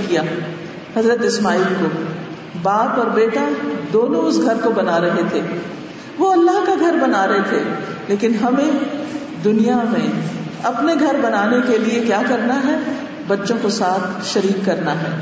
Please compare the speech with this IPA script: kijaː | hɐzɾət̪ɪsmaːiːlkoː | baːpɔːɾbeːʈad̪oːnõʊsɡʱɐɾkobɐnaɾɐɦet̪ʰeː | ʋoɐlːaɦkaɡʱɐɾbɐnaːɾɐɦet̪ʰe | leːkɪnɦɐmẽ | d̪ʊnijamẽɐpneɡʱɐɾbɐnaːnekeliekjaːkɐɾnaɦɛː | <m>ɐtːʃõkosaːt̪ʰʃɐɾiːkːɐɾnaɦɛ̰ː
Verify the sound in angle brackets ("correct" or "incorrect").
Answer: incorrect